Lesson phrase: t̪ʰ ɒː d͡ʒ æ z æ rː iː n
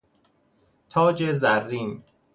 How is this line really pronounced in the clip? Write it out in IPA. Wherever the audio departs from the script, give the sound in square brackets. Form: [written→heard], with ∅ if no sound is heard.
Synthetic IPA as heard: t̪ʰ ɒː d͡ʒ [æ→e] z æ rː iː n